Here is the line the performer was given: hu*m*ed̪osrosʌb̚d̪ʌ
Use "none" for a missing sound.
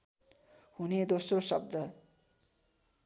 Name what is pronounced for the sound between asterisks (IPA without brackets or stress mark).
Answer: n